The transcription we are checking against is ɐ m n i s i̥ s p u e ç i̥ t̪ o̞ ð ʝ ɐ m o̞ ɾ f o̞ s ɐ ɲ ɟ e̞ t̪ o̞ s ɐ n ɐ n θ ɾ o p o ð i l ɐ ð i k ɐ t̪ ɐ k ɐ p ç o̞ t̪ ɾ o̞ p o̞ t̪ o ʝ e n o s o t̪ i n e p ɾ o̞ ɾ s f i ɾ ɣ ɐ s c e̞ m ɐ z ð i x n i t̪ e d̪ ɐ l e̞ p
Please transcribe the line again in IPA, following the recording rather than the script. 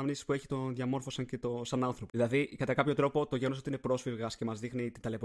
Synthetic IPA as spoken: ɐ m n i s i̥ s p u e ç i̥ t̪ o̞ ð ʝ ɐ m o̞ ɾ f o̞ s ɐ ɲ c e̞ t̪ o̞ s ɐ n ɐ n θ ɾ o p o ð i l ɐ ð i k ɐ t̪ ɐ k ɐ p ç o̞ t̪ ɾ o̞ p o̞ t̪ o ʝ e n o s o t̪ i n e p ɾ o̞ s f i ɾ ɣ ɐ s c e̞ m ɐ z ð i x n i t̪ i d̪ ɐ l e̞ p